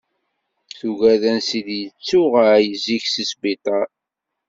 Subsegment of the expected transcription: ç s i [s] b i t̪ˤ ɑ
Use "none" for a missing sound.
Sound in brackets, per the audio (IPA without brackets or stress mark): s